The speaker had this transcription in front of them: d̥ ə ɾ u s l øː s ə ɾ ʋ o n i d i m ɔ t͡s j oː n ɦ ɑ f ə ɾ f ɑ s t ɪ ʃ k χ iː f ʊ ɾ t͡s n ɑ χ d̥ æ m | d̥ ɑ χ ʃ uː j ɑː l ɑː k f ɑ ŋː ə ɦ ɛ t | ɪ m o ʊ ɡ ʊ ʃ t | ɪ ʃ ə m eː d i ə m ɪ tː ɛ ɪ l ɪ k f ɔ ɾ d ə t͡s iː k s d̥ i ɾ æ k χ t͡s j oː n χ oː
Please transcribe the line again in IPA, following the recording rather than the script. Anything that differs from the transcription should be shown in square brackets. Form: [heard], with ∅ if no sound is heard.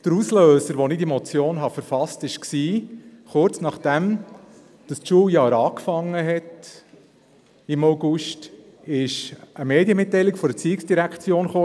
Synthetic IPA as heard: d̥ ə ɾ u s l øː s ə ɾ ʋ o n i d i m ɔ t͡s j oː n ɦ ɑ f ə ɾ f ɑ s t ɪ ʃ k [s] iː [χ] ʊ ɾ t͡s n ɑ χ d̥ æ m | d̥ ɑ [s] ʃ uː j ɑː [ɾ] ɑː k f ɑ ŋː ə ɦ ɛ t | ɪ m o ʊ ɡ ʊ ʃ t | ɪ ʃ ə m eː d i ə m ɪ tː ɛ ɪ l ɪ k f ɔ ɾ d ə t͡s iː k s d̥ i ɾ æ k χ t͡s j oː n χ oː